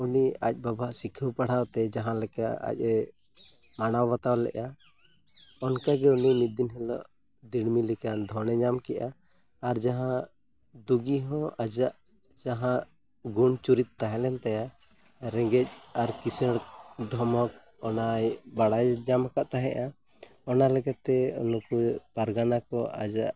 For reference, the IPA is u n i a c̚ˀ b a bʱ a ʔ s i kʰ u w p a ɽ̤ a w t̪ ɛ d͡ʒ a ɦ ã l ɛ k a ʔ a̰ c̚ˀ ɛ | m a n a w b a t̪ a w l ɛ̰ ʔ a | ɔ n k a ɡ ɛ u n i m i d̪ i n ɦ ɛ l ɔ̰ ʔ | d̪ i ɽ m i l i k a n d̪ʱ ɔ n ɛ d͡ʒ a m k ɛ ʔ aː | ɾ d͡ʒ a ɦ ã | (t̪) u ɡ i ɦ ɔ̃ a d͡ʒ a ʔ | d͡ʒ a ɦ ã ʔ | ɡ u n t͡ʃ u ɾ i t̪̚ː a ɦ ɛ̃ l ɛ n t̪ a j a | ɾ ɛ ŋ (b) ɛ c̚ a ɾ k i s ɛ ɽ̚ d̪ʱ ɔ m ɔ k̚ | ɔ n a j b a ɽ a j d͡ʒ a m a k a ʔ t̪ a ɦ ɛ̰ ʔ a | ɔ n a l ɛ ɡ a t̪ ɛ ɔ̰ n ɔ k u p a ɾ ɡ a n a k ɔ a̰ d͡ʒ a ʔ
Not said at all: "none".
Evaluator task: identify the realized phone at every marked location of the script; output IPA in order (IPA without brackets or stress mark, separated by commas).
d̪, ɡ